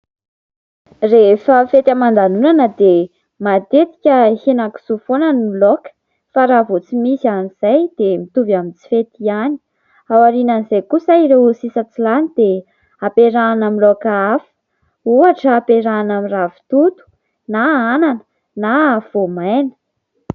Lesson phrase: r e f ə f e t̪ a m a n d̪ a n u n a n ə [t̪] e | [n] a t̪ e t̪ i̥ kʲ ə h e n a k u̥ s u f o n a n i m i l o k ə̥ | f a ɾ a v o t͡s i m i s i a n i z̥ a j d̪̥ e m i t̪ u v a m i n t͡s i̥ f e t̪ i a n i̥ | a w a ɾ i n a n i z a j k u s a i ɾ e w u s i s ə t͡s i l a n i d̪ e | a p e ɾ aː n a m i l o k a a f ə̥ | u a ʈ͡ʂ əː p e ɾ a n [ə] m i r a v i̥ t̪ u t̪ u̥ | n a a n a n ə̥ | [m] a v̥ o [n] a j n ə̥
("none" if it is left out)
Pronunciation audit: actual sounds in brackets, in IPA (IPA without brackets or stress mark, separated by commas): d̪, m, a, n, m